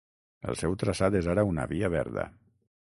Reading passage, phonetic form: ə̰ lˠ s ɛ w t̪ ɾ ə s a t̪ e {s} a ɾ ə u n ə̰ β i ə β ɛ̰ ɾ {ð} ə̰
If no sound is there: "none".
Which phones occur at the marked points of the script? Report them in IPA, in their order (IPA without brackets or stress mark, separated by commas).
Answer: z, ð